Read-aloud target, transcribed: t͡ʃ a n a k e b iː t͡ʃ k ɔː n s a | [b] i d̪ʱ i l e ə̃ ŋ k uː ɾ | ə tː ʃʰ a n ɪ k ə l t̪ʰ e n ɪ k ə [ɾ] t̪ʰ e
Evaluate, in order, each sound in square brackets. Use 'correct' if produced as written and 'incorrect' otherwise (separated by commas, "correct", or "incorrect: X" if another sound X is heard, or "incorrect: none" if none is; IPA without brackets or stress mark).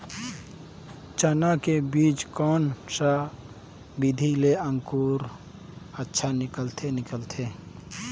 correct, incorrect: l